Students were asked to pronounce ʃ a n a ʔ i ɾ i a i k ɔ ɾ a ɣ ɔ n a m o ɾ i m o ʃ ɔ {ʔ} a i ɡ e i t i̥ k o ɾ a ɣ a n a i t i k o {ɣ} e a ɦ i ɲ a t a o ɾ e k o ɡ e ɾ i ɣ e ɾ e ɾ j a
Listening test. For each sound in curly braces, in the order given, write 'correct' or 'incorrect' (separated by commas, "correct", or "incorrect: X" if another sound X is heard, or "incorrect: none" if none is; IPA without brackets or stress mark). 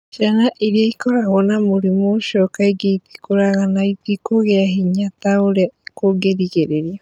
incorrect: k, correct